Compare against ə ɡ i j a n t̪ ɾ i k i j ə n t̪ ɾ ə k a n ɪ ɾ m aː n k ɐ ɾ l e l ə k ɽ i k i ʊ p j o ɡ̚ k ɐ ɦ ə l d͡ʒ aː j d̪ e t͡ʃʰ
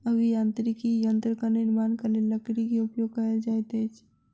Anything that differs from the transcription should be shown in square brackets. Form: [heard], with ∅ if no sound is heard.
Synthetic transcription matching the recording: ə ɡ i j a n t̪ ɾ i k i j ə n t̪ ɾ ə k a n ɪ ɾ m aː n k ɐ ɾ l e l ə k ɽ i k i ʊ p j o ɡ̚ k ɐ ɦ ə l d͡ʒ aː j [t̪] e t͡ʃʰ